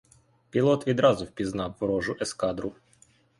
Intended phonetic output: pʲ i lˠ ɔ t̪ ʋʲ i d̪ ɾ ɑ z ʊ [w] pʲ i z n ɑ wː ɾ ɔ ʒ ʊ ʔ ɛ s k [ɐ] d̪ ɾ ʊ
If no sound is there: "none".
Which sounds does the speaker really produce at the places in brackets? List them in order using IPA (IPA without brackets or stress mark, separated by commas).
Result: w, ɑ